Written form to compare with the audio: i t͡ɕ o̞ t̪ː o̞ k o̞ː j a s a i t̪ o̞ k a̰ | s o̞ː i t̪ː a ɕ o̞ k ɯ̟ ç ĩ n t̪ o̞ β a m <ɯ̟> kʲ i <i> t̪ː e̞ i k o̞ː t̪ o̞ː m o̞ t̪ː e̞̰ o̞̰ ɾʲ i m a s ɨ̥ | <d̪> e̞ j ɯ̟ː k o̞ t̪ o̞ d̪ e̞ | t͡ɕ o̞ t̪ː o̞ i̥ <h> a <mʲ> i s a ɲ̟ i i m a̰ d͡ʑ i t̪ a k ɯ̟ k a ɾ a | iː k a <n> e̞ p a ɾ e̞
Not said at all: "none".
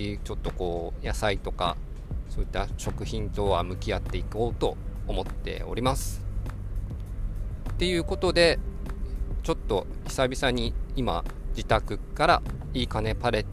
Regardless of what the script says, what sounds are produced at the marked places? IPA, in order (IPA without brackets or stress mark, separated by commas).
ɯ̟, a, t̪, s, bʲ, n